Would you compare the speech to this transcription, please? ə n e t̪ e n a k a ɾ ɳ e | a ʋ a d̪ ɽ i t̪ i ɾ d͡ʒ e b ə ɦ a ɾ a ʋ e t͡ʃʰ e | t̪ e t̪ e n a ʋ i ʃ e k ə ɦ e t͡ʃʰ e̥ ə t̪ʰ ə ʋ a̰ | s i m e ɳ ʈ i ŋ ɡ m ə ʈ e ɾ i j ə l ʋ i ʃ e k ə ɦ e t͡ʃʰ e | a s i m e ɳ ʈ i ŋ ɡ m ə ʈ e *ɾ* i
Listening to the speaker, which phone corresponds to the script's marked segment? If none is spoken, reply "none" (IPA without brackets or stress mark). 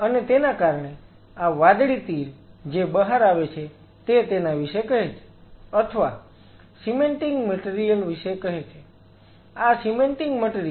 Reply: ɾ